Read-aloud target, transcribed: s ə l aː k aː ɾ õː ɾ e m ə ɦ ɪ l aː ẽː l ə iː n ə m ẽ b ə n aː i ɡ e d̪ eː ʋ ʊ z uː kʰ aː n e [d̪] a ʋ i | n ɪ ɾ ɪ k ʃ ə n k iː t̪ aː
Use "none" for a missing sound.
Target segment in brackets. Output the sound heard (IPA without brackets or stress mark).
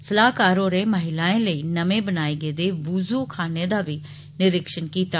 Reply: d̪